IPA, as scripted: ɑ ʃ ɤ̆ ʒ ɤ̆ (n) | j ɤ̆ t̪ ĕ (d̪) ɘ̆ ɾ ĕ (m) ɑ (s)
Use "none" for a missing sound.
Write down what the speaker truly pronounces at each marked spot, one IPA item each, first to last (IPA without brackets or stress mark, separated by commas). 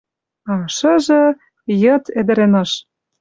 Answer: none, d̪, n, ʃ